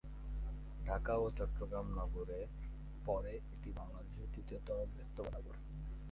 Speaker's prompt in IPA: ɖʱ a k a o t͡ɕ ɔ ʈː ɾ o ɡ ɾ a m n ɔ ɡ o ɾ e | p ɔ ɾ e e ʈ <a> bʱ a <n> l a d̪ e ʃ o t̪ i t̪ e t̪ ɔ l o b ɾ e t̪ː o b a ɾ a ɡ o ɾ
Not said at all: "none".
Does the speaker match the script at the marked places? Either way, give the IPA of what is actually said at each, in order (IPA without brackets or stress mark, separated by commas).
i, ŋ